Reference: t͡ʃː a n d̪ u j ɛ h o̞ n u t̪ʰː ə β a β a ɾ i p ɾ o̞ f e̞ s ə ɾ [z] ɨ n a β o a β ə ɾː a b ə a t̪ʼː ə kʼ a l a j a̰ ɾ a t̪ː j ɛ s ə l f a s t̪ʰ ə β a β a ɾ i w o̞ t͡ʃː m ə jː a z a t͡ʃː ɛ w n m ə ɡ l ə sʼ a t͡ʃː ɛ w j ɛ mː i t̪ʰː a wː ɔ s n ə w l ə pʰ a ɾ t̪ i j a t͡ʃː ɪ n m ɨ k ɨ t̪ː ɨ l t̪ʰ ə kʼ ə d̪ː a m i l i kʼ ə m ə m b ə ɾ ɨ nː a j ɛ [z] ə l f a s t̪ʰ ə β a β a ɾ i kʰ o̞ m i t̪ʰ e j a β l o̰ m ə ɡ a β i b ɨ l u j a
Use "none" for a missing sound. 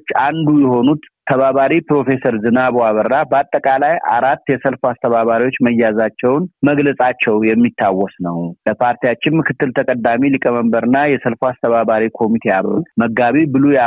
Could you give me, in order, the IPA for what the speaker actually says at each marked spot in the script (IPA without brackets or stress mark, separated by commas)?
z, s